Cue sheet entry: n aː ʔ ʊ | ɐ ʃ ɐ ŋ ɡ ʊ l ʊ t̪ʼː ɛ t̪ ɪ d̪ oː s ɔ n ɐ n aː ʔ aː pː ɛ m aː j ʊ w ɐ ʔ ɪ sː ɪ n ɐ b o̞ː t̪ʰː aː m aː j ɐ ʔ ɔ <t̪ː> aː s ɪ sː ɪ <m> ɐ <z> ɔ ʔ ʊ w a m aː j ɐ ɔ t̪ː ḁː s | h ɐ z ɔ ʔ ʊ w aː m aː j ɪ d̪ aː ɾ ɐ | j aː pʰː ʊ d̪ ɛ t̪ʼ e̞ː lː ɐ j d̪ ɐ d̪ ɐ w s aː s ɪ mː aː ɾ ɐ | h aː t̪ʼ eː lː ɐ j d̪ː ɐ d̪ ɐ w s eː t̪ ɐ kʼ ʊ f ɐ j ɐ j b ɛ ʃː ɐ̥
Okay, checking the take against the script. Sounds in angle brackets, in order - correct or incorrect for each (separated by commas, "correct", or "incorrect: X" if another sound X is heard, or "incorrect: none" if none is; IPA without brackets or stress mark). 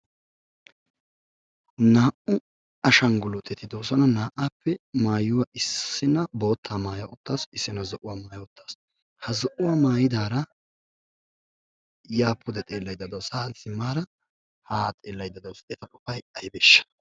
correct, incorrect: n, correct